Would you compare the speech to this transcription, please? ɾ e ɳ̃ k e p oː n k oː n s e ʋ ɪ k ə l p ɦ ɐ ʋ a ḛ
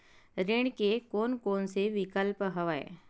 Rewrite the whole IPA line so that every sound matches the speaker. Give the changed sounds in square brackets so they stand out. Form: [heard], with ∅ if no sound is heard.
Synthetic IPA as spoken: ɾ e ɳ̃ k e [k] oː n k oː n s e ʋ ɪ k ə l p ɦ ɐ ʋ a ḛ